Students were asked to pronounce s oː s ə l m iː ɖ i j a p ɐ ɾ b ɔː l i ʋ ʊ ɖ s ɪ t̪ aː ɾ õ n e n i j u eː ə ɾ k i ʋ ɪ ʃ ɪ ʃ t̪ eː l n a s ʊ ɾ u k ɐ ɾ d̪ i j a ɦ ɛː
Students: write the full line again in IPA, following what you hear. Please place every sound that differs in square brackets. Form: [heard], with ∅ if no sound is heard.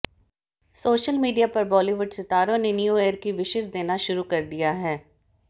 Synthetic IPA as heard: s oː [ʃ] ə l m iː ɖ i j a p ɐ ɾ b ɔː l i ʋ ʊ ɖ s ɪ t̪ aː ɾ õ n e n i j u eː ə ɾ k i ʋ ɪ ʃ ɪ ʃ [d̪] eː [∅] n a [ʃ] ʊ ɾ u k ɐ ɾ d̪ i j a ɦ ɛː